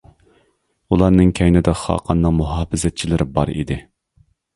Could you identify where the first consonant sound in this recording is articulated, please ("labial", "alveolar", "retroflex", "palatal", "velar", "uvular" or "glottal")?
alveolar